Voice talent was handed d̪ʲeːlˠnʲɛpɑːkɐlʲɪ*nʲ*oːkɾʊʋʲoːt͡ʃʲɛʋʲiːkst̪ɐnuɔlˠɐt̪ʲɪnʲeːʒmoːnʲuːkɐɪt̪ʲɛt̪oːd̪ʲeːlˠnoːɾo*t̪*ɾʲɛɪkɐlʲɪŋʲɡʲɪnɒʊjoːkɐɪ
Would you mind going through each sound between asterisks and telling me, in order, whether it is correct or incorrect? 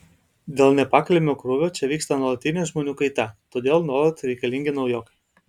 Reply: incorrect: mʲ, correct

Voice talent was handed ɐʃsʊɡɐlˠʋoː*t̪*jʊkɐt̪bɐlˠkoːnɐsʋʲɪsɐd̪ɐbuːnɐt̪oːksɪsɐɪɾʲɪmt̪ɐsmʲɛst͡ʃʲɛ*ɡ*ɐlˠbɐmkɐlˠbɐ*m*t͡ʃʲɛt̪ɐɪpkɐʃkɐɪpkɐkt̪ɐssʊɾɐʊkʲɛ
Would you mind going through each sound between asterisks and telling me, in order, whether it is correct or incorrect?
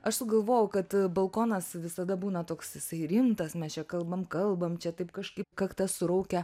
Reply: incorrect: none, incorrect: k, correct

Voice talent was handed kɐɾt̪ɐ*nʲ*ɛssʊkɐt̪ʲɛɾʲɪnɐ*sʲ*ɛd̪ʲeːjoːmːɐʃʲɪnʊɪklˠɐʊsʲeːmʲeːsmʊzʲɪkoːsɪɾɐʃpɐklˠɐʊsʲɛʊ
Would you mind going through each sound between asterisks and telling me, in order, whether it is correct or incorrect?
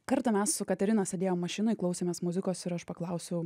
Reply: incorrect: mʲ, correct

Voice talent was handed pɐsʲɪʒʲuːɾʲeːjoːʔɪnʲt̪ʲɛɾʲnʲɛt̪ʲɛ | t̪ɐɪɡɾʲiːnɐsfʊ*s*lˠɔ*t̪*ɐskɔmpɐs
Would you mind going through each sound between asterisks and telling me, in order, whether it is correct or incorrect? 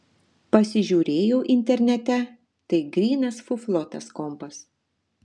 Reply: incorrect: f, correct

